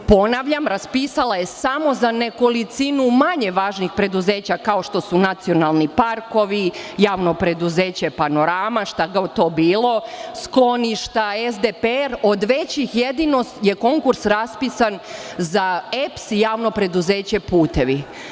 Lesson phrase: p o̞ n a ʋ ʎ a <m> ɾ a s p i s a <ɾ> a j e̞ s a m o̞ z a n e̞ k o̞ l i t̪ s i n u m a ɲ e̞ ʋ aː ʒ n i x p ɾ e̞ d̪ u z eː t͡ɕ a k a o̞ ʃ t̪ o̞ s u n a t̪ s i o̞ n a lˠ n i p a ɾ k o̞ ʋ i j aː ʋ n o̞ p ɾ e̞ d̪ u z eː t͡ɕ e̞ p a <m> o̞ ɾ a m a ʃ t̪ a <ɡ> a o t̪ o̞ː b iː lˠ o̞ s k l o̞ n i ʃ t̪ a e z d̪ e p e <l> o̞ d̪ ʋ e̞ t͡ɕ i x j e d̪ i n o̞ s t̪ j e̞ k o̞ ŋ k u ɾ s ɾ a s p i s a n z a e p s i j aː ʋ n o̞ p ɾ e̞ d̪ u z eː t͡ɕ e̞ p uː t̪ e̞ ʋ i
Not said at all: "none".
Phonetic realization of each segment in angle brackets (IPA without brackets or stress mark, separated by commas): m, l, n, ɡ, ɾ